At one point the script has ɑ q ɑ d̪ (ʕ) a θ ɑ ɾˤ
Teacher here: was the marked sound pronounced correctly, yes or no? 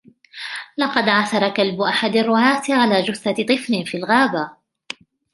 yes